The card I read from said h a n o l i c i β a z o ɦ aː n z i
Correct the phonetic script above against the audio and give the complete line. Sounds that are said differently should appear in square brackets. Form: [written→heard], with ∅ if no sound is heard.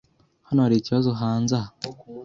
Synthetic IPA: h a n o [l→ɾ] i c i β a z o ɦ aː n z [i→a]